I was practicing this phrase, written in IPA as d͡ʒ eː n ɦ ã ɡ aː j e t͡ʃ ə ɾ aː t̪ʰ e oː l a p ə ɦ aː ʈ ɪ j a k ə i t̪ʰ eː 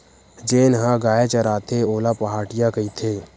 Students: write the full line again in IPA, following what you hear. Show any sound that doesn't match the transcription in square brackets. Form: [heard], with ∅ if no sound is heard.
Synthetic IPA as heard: d͡ʒ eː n ɦ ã ɡ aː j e t͡ʃ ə ɾ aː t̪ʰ e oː l a p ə ɦ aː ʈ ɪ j a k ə i t̪ʰ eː